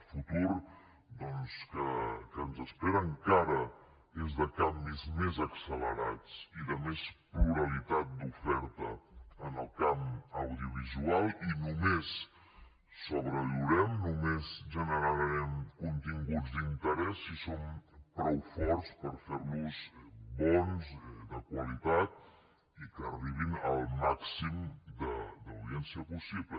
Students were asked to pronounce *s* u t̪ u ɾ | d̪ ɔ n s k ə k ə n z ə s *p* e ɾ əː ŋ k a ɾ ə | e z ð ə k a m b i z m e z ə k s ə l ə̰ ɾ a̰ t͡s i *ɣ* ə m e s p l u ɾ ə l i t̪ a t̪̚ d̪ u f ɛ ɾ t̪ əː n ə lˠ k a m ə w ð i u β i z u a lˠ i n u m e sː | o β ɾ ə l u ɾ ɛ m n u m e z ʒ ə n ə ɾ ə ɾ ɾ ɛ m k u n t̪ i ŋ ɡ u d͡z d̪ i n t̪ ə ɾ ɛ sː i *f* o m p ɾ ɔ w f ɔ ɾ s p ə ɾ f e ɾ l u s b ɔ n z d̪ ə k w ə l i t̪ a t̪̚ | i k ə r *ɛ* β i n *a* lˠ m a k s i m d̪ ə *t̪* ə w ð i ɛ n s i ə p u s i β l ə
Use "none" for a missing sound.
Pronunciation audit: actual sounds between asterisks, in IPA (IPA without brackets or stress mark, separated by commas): f, p, ð, s, i, ə, d̪